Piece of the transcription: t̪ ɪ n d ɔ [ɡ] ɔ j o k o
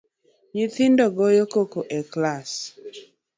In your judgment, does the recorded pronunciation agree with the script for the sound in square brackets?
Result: yes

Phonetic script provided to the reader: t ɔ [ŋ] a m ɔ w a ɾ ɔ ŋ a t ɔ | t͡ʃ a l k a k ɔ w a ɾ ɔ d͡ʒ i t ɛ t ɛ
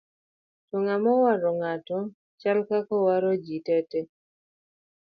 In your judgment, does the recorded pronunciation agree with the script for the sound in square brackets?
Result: yes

